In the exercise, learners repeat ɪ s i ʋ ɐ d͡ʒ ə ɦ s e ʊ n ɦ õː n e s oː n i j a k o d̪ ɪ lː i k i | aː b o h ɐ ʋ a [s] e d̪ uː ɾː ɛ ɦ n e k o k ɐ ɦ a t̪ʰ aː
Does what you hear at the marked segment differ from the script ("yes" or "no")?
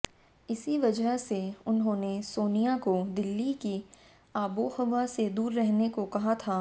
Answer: no